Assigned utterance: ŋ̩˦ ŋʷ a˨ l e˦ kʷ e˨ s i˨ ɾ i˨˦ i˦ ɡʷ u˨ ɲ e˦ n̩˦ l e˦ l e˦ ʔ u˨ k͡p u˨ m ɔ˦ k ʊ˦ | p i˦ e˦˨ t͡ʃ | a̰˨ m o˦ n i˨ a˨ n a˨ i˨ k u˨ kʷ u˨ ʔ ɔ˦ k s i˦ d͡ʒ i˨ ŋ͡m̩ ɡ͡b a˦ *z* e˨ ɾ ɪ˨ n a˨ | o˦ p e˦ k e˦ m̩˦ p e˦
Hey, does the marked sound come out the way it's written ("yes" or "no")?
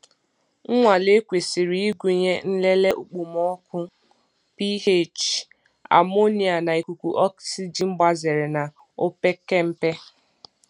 yes